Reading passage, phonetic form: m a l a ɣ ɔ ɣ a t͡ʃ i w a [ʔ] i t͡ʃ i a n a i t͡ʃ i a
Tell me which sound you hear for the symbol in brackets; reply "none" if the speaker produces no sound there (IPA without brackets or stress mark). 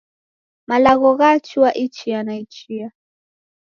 ʔ